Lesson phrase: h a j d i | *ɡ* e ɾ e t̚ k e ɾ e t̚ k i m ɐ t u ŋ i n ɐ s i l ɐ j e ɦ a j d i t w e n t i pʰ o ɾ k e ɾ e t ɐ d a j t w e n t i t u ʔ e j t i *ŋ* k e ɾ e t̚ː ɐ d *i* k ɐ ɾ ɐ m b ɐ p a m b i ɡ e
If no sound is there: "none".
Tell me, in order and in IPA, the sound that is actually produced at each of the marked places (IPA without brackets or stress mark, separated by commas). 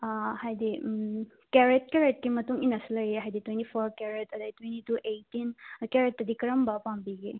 k, n, i